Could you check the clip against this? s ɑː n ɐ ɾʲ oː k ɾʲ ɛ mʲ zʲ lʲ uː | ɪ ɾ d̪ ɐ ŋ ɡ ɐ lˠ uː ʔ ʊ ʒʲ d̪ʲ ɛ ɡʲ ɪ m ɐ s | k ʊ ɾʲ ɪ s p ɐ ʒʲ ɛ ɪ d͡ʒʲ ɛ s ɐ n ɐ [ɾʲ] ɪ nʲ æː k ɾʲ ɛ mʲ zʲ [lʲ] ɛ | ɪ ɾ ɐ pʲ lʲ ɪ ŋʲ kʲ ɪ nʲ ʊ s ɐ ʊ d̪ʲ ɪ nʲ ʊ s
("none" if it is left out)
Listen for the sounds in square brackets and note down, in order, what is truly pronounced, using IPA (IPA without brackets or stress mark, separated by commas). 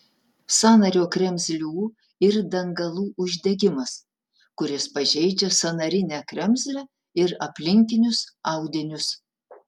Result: ɾʲ, lʲ